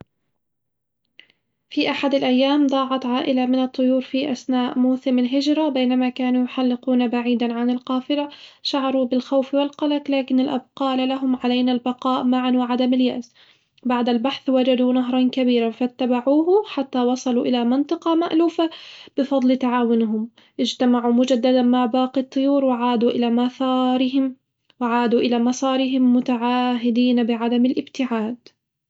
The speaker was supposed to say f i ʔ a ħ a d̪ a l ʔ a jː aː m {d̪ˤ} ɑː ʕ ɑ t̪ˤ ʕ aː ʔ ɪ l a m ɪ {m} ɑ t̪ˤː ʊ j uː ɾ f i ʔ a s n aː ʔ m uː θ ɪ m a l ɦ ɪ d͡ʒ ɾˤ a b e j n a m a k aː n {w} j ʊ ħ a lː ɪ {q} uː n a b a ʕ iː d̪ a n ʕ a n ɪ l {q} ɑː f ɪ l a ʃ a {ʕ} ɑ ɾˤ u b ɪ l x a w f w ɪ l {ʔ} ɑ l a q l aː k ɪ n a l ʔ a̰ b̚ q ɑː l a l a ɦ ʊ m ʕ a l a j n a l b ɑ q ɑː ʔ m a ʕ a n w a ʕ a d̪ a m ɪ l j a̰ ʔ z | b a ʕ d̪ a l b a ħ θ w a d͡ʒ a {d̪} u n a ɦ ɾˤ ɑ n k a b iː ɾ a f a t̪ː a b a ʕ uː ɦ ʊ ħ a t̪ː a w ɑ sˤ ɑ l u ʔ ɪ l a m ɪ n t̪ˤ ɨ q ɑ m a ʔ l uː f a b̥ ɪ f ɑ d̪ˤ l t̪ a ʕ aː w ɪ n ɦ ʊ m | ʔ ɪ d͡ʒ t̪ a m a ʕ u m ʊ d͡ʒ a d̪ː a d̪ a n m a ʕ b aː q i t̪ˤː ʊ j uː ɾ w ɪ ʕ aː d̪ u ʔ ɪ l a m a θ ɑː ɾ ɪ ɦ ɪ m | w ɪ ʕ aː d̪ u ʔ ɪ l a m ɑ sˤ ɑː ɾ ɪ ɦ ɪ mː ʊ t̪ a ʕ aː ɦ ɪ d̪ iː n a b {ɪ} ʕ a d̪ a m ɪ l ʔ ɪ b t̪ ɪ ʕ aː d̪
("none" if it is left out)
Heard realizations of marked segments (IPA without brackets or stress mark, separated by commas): d̪ˤ, n, u, q, q, ʕ, q, d̪, ɪ